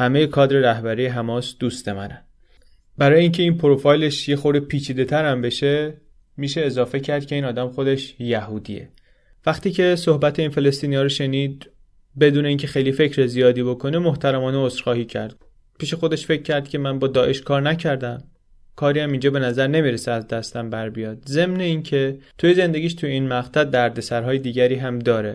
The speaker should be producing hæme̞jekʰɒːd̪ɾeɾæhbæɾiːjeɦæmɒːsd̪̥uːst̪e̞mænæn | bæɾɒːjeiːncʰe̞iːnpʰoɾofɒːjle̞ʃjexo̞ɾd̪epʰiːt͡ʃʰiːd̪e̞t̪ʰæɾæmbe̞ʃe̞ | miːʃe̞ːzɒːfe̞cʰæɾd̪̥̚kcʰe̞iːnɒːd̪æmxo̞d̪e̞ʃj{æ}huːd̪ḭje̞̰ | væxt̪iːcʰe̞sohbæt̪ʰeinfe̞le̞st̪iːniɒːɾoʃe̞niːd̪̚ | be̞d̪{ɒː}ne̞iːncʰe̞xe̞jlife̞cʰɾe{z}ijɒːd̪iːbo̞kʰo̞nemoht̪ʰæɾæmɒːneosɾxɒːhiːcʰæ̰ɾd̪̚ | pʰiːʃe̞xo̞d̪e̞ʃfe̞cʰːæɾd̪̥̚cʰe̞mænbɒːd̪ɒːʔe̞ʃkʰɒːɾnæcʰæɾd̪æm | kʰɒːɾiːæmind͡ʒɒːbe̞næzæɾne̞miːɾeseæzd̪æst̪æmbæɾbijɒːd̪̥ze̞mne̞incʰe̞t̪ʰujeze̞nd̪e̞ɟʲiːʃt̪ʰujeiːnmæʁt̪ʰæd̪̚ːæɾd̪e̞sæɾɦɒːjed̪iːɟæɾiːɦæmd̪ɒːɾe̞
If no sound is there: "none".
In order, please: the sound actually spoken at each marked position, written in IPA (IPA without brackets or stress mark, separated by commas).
æ, uː, z